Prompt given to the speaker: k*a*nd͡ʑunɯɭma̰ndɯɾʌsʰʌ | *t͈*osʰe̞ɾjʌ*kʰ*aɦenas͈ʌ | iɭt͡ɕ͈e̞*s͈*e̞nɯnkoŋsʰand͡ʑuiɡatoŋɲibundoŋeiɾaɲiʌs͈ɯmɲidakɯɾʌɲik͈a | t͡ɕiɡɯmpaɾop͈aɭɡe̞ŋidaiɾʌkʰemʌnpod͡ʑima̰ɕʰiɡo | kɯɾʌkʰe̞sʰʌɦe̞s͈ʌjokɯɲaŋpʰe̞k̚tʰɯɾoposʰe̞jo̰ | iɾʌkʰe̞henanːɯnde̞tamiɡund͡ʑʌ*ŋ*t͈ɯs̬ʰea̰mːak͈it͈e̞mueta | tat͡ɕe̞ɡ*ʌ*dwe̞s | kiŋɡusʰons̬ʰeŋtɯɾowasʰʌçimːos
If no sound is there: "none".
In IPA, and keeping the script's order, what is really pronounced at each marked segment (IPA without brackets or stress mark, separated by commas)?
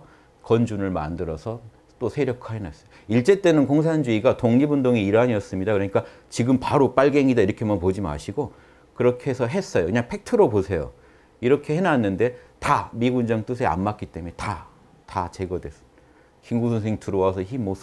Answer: ʌ, t͈, kʰ, t͈, ŋ, ʌ